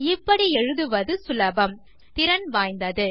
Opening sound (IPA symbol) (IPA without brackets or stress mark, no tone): ɪ